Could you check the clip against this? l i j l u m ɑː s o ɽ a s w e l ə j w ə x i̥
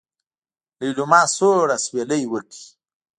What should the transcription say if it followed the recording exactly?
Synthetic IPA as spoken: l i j l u m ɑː s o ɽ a s w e l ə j w ə k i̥